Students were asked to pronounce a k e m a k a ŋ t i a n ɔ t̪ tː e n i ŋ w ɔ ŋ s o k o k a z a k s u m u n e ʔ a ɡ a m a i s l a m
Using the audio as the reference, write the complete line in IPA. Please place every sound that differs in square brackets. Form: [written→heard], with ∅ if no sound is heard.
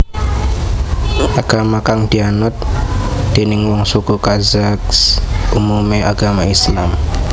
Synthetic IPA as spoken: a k [e→a] m a k a ŋ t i a n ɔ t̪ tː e n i ŋ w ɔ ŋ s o k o k a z a k s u m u [n→m] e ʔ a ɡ a m a i s l a m